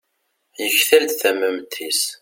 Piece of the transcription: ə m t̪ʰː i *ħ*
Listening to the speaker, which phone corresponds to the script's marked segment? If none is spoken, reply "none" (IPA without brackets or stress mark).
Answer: s